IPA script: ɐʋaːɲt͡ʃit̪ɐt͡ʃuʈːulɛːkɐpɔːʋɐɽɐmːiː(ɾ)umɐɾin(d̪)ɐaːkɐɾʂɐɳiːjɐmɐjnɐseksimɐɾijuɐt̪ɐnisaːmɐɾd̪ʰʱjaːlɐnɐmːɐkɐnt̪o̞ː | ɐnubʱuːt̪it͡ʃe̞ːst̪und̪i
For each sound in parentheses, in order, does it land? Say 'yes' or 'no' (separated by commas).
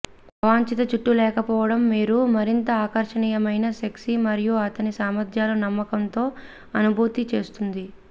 yes, no